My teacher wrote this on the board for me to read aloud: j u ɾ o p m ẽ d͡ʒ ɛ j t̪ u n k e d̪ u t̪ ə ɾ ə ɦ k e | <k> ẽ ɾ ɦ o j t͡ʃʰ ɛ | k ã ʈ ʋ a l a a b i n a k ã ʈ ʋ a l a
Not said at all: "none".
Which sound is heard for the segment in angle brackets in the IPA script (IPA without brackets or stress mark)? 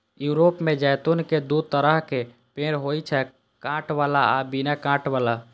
p